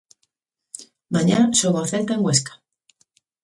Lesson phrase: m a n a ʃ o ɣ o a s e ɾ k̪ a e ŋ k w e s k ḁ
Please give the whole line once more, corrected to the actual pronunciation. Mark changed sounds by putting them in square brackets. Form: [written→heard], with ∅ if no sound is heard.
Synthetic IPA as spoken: m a [n→ɲ] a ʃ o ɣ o a [s→θ] e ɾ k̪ a e ŋ [k→ɡ] w e s k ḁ